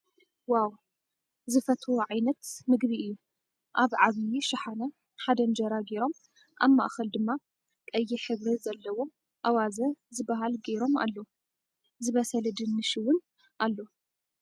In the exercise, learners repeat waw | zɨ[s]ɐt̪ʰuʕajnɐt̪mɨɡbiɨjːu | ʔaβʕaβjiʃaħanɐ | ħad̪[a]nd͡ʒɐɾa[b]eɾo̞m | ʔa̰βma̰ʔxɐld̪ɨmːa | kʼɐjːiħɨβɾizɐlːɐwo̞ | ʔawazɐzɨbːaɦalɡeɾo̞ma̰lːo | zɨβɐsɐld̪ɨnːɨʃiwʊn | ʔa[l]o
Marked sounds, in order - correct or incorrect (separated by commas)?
incorrect, incorrect, incorrect, incorrect